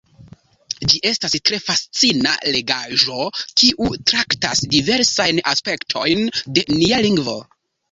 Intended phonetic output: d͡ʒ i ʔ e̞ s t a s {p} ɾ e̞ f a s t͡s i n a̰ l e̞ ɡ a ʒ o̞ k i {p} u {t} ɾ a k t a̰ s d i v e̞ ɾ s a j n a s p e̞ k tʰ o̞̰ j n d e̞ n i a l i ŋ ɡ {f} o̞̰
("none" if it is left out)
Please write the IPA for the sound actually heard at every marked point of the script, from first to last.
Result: t, ʔ, t, v

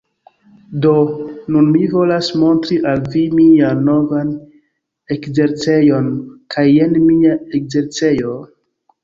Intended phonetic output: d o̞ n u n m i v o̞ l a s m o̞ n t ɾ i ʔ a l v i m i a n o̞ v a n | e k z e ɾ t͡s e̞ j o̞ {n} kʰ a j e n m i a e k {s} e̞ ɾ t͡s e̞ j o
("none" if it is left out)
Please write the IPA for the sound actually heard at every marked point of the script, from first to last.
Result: n, z

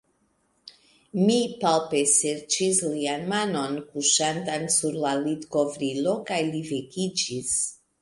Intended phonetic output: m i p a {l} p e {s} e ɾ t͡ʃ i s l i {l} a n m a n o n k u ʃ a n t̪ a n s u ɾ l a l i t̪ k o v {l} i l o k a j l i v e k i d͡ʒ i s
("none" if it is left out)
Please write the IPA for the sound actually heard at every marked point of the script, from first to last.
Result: l, s, none, ɾ

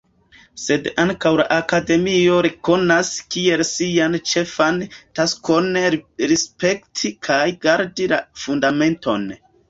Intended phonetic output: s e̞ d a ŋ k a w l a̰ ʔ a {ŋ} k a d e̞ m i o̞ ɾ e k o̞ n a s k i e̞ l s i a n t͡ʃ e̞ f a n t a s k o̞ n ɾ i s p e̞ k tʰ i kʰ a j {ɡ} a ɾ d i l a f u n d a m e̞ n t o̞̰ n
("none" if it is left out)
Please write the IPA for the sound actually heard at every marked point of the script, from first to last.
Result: none, ɡ

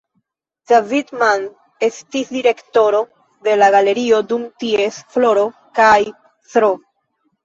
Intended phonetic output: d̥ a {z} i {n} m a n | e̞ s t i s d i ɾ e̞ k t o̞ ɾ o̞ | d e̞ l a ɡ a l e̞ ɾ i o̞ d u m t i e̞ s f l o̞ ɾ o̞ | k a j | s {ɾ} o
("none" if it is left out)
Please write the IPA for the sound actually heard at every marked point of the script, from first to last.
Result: v, d, ɾ

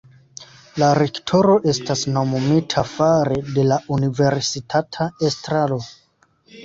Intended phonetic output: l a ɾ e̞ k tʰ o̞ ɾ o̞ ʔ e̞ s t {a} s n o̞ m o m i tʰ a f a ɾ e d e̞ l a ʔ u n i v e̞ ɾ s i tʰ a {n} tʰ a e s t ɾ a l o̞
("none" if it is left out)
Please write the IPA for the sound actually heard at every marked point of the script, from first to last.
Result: a, none

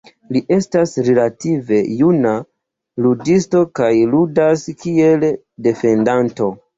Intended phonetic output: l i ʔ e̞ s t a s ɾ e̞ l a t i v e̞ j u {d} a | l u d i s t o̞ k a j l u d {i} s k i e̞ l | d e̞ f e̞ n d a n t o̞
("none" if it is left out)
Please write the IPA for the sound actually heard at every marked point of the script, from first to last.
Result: n, a

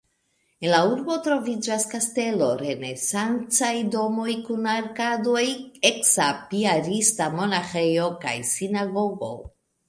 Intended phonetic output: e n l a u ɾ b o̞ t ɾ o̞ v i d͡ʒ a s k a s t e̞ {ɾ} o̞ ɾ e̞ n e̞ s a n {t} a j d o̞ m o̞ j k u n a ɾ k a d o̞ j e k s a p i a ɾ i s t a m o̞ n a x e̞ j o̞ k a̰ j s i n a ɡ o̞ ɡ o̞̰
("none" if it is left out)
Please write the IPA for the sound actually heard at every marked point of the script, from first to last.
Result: l, t͡s

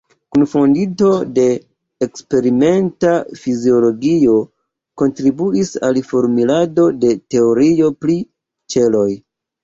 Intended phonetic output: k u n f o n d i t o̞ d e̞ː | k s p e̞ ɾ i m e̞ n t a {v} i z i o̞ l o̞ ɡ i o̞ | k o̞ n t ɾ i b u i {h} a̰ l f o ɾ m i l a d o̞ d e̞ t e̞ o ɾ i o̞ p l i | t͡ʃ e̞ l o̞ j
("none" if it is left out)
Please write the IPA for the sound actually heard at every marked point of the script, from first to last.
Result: f, s

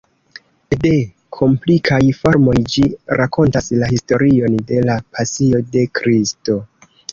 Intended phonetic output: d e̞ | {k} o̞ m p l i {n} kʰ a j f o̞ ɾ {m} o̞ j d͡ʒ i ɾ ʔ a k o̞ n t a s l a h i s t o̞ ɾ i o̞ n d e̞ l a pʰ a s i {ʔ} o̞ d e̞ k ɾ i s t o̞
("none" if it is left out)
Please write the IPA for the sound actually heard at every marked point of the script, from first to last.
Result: kʰ, none, m, none

